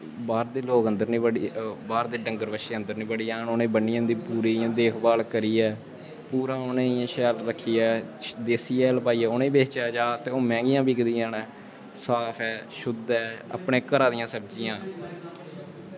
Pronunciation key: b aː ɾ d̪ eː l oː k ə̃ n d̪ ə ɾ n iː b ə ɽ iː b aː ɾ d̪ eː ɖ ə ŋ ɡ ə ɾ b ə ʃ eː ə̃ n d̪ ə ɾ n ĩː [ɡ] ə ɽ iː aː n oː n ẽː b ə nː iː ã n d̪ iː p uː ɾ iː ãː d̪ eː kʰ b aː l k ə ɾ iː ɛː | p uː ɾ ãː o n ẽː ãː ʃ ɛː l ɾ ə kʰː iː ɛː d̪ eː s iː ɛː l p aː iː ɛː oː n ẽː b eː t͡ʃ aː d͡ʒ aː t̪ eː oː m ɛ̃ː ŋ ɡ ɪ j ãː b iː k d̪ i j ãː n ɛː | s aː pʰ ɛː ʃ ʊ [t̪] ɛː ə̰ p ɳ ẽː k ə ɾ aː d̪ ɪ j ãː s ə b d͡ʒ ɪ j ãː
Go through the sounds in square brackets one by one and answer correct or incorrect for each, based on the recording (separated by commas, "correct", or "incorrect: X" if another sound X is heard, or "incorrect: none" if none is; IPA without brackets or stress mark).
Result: incorrect: b, incorrect: d̪